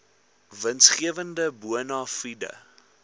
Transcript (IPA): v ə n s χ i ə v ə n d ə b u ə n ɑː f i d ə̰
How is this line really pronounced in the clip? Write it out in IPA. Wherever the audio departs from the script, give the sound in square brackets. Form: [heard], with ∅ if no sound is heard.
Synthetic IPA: v ə n s χ i ə v ə n d ə b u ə n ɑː f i d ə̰

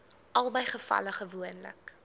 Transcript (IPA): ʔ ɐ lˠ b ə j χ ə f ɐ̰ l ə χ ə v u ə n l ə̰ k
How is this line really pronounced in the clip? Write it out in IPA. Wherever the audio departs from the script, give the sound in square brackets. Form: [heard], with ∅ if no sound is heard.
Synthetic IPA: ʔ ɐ lˠ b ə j χ ə f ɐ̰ l ə χ ə v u ə n l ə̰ k

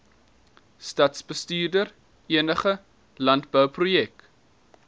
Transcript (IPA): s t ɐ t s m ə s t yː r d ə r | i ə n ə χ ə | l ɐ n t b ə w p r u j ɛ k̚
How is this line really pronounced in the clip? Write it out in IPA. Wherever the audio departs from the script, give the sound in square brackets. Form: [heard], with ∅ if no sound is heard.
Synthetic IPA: s t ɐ t s [b] ə s t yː r d ə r | i ə n ə χ ə | l ɐ n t b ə w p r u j ɛ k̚

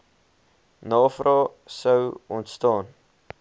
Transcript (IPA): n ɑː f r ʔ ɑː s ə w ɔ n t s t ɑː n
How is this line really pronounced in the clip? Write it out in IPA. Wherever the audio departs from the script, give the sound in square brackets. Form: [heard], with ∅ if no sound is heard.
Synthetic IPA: n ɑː f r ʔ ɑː s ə w ɔ n t s t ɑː n

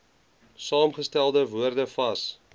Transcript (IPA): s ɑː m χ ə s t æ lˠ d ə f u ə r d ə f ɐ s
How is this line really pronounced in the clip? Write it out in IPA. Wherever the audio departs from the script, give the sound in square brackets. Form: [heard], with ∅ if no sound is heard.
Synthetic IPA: s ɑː m χ ə s t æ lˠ d ə [v] u ə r d ə f ɐ s

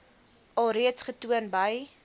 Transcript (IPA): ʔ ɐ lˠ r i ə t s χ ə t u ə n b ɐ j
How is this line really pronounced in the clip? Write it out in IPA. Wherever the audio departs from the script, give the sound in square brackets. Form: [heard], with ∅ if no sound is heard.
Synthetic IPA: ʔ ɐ lˠ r i ə t s χ ə t u ə n b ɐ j

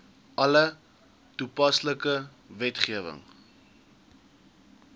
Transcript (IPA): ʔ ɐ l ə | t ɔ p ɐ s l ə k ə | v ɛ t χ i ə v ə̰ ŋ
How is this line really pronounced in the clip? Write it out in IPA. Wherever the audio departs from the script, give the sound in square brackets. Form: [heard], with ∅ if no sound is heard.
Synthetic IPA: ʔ ɐ l ə | t [u] p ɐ s l ə k ə | v ɛ t χ i ə v ə̰ ŋ

